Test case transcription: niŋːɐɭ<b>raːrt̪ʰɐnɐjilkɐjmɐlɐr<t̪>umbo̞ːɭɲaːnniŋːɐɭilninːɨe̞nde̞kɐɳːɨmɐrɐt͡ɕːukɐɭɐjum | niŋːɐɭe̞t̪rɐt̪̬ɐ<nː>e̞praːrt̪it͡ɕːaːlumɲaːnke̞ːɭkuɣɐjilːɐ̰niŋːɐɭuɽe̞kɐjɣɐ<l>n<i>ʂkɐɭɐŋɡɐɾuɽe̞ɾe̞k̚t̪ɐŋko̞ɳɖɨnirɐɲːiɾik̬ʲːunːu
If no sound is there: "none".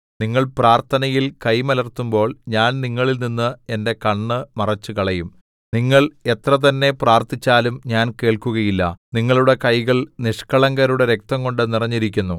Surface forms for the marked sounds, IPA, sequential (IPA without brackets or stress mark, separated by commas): p, t̪, nː, ɭ, i